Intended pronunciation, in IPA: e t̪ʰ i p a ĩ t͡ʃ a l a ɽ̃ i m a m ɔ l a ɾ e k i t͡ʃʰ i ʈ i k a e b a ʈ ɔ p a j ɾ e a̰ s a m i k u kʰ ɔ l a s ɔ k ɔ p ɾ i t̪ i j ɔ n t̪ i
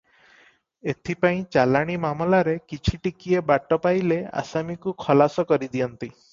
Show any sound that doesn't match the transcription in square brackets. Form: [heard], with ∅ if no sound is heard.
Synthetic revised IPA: e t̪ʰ i p a ĩ t͡ʃ a l a ɽ̃ i m a m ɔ l a ɾ e k i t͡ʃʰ i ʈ i k [i] e b a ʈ ɔ p a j [l] e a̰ s a m i k u kʰ ɔ l a s ɔ k ɔ [∅] ɾ i [d̪] i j ɔ n t̪ i